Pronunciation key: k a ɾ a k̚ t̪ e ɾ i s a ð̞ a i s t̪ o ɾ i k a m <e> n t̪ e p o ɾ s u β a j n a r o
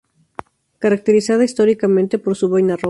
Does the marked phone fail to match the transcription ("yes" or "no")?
yes